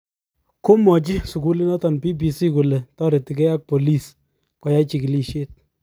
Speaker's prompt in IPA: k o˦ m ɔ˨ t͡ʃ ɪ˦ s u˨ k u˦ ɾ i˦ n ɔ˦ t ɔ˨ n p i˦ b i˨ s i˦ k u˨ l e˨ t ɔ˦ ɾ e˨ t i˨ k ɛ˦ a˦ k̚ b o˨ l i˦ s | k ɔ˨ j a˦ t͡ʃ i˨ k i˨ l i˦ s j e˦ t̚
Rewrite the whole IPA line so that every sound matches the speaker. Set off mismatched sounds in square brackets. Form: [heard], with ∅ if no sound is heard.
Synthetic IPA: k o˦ m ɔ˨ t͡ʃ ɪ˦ s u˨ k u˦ [l] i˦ n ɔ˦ t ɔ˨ n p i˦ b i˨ s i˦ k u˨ l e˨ t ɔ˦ ɾ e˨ t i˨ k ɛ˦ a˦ k̚ [p] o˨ l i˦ s | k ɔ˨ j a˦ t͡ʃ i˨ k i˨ l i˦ [ʃ] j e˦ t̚